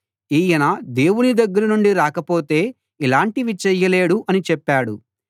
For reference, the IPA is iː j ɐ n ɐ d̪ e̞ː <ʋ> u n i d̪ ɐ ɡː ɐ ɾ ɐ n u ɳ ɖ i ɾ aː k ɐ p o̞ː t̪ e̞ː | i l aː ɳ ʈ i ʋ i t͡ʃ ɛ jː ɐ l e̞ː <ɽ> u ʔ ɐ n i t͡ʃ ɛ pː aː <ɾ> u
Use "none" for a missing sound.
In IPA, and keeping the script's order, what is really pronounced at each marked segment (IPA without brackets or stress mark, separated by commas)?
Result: w, ɽ, ɽ